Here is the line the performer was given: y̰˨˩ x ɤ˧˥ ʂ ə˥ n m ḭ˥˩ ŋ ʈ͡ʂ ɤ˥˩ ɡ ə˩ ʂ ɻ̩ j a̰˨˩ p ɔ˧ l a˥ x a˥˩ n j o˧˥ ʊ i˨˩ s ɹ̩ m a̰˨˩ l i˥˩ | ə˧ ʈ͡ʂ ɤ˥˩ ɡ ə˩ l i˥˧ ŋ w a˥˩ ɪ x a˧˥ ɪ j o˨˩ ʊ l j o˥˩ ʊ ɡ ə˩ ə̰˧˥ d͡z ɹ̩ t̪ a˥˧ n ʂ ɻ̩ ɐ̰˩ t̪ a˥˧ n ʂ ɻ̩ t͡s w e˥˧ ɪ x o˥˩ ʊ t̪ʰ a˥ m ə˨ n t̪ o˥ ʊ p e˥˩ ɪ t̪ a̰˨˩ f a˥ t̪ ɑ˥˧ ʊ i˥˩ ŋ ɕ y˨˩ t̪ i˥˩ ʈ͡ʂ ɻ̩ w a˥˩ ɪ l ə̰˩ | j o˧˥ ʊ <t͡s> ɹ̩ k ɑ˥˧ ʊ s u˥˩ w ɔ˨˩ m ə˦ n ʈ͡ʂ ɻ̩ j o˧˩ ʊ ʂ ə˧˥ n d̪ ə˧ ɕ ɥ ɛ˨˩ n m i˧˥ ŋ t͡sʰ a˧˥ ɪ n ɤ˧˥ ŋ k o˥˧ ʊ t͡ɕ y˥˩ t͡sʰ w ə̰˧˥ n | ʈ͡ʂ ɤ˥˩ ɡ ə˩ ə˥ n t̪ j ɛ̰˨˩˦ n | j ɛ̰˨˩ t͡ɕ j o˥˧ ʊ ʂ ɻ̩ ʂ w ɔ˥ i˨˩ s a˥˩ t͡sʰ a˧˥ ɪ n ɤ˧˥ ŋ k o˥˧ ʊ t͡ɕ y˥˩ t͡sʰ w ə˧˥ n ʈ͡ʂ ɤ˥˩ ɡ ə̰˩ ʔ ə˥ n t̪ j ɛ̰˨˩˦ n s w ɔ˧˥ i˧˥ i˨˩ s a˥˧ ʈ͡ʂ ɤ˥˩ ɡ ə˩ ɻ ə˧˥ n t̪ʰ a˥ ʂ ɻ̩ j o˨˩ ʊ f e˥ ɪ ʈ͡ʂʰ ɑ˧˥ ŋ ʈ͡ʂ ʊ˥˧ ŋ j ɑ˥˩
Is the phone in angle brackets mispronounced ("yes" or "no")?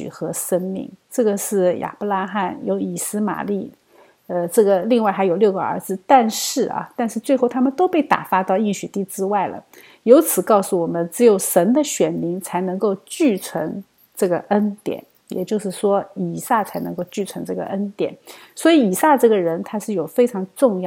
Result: yes